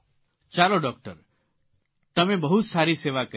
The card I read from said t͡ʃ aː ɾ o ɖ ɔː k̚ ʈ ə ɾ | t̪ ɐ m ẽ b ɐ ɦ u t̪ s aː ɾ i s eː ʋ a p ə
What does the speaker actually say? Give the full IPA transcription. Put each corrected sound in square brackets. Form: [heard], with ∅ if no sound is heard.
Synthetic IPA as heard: t͡ʃ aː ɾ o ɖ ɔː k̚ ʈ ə ɾ | t̪ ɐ m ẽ b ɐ ɦ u t̪ s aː ɾ i s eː ʋ a [k] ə

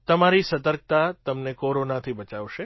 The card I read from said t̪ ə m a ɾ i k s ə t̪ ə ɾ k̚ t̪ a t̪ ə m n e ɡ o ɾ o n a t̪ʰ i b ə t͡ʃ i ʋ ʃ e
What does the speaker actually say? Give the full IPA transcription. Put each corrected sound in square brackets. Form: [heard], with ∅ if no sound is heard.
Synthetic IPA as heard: t̪ ə m a ɾ i [∅] s ə t̪ ə ɾ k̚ t̪ a t̪ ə m n e [k] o ɾ o n a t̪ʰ i b ə t͡ʃ [a] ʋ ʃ e

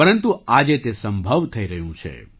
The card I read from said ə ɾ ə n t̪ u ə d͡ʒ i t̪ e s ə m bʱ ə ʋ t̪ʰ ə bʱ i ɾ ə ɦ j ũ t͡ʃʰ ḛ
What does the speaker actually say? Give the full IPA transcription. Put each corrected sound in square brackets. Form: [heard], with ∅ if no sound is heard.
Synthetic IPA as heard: ə ɾ ə n t̪ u [a] d͡ʒ [e] t̪ e s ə m bʱ ə ʋ t̪ʰ ə [∅] i ɾ ə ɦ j ũ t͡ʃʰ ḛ

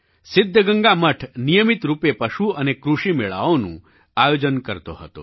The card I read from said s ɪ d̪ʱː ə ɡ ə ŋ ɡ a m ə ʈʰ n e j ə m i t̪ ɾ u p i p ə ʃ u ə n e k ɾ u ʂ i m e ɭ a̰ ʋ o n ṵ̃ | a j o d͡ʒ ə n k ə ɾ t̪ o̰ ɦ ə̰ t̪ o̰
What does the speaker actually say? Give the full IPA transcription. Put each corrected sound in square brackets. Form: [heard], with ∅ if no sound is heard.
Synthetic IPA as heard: s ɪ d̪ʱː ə ɡ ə ŋ ɡ a m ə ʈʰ n [i] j ə m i t̪ ɾ u p [e] p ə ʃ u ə n e k ɾ u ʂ i m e ɭ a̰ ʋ o n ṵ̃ | a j o d͡ʒ ə n k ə ɾ t̪ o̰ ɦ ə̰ t̪ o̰

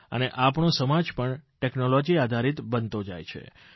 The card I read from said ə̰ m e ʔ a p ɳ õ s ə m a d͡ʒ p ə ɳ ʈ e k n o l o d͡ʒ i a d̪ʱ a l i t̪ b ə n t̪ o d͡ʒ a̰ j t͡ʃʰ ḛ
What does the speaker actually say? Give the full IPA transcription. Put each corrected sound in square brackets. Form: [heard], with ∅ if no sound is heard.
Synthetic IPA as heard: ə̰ [n] e ʔ a p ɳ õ s ə m a d͡ʒ p ə ɳ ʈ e k n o l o d͡ʒ i a d̪ʱ a [ɾ] i t̪ b ə n t̪ o d͡ʒ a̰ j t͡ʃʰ ḛ

